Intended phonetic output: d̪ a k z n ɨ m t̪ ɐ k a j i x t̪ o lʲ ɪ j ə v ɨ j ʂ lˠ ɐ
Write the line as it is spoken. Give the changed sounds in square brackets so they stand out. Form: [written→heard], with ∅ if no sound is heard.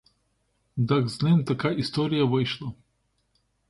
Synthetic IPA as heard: d̪ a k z n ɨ m t̪ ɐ k a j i [x→s] t̪ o [lʲ→ɾʲ] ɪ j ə v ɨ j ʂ lˠ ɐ